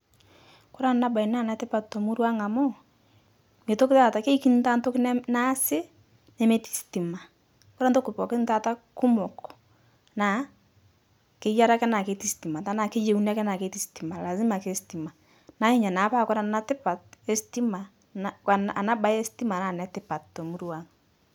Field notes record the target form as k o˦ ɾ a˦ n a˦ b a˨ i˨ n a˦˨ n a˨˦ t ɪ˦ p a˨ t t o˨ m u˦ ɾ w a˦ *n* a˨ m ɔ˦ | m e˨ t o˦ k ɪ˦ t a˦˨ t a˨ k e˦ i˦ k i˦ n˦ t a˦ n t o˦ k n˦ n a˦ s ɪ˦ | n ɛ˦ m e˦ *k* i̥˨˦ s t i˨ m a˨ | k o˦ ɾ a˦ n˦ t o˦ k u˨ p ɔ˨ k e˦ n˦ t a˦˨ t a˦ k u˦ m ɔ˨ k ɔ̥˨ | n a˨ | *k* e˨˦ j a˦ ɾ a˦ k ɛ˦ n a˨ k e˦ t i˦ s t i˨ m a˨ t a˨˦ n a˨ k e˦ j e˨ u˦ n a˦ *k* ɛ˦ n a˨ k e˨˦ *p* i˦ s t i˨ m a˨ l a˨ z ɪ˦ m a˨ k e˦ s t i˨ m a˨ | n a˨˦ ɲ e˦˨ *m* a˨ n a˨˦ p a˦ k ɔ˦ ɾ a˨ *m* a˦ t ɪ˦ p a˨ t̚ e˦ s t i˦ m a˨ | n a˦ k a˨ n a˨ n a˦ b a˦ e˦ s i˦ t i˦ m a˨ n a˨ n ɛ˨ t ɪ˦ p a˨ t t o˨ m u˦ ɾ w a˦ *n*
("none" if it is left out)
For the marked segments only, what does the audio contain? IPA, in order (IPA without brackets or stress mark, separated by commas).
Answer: ŋ, t, k, k, t, ɲ, n, ŋ